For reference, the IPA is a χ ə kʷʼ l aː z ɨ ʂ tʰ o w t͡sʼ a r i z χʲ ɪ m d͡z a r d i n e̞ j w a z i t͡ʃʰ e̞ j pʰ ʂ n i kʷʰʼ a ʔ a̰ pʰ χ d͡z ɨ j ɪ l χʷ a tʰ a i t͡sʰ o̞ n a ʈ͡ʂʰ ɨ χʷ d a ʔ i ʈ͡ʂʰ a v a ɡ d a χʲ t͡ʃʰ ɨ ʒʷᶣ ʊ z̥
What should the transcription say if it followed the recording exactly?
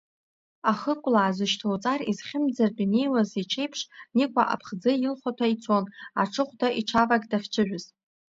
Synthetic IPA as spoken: a χ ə kʷʼ l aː z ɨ ʃ tʰ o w t͡sʼ a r i z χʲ ɪ m d͡z a r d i n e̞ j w a z i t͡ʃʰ e̞ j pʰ ʂ n i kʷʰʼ a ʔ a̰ pʰ χ d͡z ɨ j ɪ l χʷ a tʰ a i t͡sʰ o̞ n a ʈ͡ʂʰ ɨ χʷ d a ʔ i ʈ͡ʂʰ a v a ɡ d a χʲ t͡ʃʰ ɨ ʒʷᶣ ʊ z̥